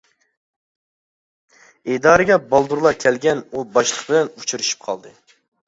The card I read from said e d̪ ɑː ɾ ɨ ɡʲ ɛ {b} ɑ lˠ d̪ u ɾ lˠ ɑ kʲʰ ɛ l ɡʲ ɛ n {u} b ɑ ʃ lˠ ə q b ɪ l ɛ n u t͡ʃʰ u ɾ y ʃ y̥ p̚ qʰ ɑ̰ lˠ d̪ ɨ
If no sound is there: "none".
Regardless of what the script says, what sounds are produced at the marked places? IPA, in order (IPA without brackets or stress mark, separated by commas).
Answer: b, u